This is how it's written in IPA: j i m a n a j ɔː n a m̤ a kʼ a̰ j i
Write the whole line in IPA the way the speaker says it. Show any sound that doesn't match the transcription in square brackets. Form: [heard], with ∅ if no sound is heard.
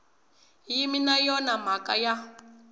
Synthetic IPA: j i m [i] n a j [ɔ] n a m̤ a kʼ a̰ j [a]